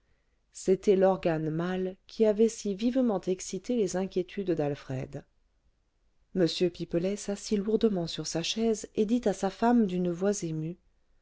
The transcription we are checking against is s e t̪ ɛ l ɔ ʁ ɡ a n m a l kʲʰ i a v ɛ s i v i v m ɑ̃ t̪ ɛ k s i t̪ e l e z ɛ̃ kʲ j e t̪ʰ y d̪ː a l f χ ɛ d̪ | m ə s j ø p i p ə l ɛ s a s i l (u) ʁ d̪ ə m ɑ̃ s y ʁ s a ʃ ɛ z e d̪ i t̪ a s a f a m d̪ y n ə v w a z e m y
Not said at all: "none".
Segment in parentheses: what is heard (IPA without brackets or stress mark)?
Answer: u